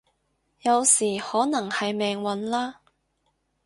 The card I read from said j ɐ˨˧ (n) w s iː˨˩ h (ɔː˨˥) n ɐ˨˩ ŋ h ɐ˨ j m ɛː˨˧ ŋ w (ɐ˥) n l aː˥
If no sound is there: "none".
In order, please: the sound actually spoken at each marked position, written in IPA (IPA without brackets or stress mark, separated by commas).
none, ɔː˨˥, ɐ˨˥